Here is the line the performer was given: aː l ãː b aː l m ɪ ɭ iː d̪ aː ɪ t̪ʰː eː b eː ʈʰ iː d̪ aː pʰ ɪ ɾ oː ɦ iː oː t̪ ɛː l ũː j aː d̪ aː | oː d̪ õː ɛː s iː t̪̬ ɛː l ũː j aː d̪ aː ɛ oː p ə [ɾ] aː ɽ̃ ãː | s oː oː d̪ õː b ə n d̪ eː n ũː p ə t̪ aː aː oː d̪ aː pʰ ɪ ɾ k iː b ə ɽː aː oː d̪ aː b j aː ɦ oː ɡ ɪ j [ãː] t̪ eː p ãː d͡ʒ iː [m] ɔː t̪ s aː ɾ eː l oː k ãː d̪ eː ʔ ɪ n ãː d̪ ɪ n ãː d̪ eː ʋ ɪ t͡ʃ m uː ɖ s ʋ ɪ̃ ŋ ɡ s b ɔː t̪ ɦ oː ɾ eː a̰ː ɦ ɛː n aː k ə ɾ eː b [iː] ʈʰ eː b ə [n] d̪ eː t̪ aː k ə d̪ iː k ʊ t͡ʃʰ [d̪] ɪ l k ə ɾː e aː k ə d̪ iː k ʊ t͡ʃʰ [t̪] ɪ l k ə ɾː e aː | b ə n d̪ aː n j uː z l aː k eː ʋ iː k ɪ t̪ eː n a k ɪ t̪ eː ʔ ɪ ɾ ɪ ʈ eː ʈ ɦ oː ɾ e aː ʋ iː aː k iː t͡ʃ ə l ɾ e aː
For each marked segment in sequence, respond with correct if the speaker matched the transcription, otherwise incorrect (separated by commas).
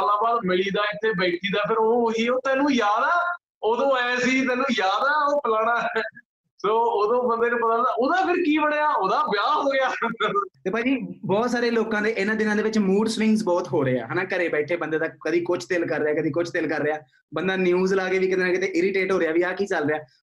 incorrect, incorrect, incorrect, incorrect, correct, incorrect, correct